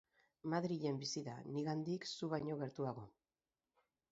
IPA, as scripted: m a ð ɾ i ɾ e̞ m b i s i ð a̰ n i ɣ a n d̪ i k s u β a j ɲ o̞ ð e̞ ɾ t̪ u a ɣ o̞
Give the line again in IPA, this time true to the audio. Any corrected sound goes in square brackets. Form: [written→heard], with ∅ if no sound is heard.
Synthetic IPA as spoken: m a ð ɾ i [ɾ→ʎ] e̞ m b i s i ð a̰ n i ɣ a n d̪ i k s u β a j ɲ o̞ [ð→ɣ] e̞ ɾ t̪ u a ɣ o̞